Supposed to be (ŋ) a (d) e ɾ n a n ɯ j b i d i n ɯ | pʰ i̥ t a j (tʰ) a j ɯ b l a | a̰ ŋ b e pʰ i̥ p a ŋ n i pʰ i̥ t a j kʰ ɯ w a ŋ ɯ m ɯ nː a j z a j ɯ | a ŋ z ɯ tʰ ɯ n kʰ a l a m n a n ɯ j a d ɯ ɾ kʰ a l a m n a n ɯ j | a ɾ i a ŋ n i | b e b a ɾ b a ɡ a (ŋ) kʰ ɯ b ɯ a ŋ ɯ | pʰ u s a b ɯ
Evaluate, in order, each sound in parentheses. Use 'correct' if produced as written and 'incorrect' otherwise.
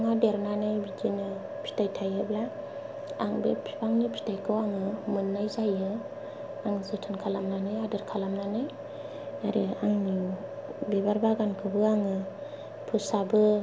correct, correct, correct, incorrect: n

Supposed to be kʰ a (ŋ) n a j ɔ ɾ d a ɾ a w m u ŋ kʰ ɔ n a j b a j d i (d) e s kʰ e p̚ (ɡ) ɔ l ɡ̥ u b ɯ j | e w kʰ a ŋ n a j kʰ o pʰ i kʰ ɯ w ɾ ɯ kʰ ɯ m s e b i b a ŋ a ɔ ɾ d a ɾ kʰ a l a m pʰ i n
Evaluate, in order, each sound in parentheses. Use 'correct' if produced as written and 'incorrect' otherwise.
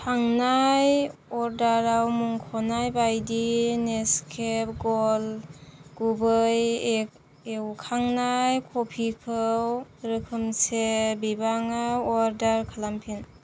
correct, incorrect: n, correct

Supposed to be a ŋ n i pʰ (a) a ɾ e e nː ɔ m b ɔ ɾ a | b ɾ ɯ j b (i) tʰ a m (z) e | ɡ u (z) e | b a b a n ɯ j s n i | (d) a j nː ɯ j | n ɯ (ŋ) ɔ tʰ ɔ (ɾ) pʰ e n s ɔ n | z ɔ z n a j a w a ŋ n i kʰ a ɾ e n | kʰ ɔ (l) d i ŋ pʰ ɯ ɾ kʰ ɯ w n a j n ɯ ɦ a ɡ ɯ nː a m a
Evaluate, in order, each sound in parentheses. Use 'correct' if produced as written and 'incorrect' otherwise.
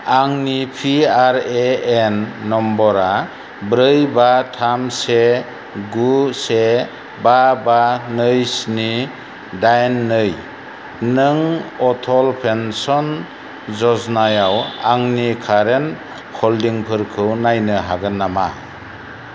incorrect: i, incorrect: a, incorrect: s, incorrect: s, correct, correct, incorrect: l, correct

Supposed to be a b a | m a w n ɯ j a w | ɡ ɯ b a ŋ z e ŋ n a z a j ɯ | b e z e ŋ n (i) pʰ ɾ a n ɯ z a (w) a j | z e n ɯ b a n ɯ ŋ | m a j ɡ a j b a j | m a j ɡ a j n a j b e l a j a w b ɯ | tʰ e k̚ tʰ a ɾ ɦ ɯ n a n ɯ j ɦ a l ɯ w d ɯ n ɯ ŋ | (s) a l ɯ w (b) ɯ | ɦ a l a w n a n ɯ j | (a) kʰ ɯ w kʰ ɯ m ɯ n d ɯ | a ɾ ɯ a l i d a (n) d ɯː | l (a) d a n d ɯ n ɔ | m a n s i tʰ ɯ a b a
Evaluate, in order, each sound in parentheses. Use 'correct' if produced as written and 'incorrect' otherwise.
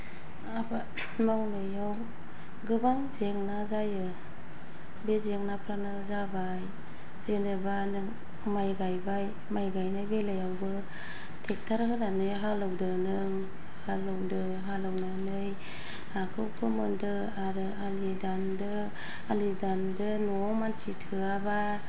incorrect: a, incorrect: b, incorrect: h, incorrect: d, correct, correct, incorrect: i

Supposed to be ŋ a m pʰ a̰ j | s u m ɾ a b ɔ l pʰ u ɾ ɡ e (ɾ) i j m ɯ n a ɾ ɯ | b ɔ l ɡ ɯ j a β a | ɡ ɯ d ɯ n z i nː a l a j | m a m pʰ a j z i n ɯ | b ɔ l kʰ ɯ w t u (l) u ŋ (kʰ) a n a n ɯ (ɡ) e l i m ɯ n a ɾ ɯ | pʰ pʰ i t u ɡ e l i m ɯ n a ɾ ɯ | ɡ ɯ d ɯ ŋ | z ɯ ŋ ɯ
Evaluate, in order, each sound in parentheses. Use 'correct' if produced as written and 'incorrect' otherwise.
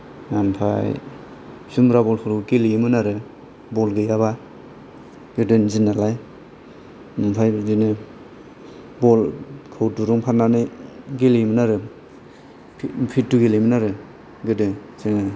incorrect: l, incorrect: ɾ, incorrect: pʰ, correct

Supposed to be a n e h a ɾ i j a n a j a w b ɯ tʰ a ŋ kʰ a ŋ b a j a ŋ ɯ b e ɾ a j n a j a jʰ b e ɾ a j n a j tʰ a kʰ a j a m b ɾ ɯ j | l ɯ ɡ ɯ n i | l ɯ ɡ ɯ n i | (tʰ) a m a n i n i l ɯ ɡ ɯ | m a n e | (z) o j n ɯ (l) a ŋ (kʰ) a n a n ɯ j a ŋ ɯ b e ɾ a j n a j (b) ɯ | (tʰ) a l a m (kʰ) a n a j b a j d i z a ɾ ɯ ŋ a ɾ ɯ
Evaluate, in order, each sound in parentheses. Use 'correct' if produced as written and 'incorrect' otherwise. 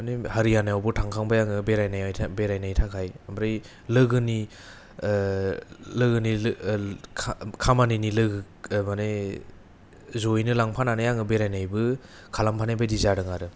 incorrect: kʰ, correct, correct, incorrect: pʰ, correct, incorrect: kʰ, incorrect: pʰ

